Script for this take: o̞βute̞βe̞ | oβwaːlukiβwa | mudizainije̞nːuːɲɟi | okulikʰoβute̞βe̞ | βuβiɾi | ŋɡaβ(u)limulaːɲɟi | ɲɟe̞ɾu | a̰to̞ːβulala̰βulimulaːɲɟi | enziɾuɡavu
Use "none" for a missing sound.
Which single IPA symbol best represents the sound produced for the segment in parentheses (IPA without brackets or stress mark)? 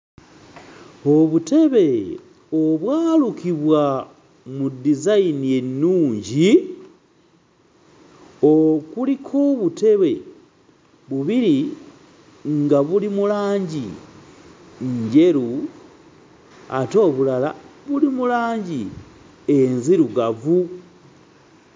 u